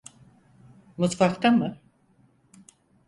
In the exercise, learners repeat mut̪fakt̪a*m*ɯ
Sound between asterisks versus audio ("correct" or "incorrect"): correct